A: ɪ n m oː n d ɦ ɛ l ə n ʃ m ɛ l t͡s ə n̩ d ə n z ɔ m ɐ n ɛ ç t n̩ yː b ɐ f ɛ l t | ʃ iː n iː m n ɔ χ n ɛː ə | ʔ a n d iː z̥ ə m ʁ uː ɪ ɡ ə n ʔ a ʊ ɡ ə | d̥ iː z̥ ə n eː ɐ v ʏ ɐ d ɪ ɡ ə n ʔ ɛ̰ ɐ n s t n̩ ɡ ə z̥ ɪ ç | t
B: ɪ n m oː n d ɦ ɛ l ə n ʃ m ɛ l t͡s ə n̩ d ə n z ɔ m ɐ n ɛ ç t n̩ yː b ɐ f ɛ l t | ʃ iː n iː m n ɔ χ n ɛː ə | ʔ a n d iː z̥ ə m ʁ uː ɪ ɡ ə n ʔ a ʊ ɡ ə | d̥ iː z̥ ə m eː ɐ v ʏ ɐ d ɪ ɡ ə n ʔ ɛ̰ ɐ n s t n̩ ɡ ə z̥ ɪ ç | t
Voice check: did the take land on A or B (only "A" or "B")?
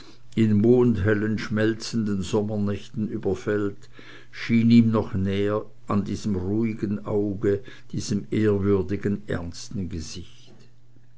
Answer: B